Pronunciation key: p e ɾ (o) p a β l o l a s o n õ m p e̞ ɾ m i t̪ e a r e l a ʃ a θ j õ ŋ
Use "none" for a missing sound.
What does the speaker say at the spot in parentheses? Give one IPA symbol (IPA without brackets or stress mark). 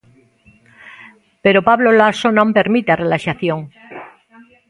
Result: o